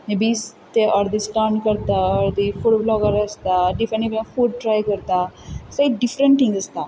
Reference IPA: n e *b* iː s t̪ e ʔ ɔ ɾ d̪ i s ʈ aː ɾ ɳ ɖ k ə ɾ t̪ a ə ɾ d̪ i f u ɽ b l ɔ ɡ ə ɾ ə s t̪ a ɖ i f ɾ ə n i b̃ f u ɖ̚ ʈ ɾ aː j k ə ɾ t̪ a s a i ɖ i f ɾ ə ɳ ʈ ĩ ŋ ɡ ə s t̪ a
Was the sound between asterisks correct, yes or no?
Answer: yes